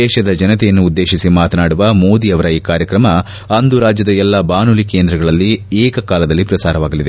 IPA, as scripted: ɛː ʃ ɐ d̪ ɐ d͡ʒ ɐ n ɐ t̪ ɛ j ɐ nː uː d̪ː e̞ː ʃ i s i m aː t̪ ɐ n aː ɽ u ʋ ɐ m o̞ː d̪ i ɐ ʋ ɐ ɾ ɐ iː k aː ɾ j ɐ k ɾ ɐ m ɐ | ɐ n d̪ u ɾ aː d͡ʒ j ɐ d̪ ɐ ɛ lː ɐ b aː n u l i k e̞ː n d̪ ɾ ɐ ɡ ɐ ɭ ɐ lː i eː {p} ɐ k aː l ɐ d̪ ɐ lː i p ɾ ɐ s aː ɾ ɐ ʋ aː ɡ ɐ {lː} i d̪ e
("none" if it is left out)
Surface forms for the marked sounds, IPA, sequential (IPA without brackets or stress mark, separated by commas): k, l